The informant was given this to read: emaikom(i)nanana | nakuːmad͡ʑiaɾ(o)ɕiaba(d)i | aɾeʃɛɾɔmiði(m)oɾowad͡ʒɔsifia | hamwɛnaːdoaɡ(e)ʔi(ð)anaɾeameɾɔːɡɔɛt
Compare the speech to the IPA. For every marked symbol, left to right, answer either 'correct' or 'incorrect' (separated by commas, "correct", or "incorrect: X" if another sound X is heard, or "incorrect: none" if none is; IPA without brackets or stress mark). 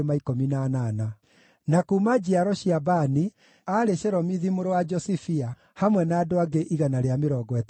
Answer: correct, incorrect: ɔ, incorrect: n, correct, correct, incorrect: ɣ